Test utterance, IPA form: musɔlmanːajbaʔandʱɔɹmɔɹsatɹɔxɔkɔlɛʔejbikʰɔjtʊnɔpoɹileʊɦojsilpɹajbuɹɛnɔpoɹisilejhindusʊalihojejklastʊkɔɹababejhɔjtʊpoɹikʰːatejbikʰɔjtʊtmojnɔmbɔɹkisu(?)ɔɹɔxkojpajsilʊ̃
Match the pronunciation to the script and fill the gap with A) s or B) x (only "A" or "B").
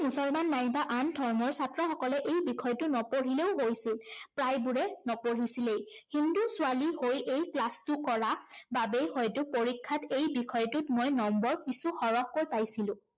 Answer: B